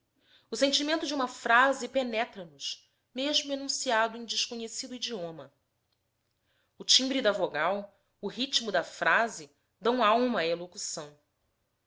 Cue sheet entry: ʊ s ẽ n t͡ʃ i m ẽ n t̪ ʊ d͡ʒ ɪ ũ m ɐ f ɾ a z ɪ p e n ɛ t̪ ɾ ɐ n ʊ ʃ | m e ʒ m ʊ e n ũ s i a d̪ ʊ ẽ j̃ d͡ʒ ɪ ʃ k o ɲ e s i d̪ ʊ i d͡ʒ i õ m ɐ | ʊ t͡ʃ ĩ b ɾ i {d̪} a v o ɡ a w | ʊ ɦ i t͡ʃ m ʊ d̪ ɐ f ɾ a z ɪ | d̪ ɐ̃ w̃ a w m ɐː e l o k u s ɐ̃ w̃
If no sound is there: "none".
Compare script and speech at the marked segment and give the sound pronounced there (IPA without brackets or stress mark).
d̪